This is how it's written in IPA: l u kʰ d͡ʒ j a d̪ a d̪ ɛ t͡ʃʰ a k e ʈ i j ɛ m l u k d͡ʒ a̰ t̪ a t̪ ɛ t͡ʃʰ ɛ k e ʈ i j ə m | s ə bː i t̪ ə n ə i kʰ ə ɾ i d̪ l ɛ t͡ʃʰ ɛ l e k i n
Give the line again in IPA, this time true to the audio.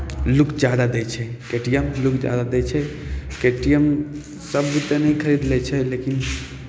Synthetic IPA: l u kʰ d͡ʒ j a d̪ a d̪ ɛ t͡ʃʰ ɛ k e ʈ i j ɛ m l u k d͡ʒ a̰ d̪ a d̪ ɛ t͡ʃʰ ɛ k e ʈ i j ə m | s ə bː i t̪ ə n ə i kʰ ə ɾ i d̪ l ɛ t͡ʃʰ ɛ l e k i n